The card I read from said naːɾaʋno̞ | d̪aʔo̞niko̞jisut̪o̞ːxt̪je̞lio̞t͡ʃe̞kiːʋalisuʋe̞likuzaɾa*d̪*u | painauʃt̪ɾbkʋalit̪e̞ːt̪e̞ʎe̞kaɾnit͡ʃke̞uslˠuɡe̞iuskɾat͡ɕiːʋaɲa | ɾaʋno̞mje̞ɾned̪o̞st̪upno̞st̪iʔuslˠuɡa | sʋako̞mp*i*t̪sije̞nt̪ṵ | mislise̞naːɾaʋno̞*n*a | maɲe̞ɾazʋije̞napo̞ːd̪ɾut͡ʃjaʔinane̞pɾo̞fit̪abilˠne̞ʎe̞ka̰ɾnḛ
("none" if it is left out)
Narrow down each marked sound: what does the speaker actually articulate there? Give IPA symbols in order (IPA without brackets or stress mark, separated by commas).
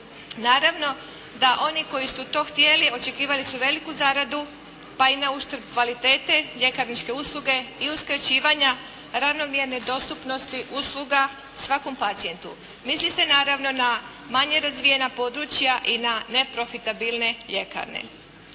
d̪, a, n